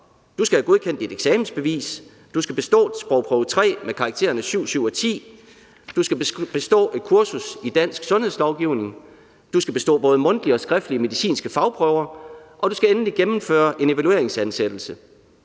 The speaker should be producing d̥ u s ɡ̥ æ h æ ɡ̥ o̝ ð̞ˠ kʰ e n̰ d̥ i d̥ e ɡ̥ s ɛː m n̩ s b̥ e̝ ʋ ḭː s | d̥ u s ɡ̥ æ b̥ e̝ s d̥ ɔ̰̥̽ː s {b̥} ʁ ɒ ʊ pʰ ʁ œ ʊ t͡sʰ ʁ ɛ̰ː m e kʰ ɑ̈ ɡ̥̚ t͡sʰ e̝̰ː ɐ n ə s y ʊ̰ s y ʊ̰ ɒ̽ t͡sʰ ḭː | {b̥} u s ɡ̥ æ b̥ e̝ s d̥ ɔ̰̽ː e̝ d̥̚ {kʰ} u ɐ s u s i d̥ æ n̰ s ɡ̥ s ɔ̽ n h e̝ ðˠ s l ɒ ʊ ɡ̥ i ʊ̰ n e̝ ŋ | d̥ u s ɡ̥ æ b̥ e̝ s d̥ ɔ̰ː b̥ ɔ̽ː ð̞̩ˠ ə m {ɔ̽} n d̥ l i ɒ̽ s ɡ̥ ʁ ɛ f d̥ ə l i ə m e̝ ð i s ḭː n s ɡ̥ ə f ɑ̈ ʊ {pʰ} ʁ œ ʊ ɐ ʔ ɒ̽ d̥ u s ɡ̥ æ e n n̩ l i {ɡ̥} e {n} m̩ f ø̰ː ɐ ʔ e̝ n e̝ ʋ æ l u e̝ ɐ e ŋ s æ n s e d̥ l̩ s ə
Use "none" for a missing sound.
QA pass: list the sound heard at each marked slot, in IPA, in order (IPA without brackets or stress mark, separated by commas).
b̥, d̥, kʰ, ɔ̽, pʰ, ɡ̥, m